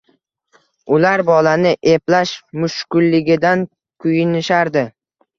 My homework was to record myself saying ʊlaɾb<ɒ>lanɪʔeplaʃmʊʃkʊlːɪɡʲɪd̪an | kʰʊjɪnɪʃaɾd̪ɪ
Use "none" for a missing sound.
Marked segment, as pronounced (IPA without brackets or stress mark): ɒ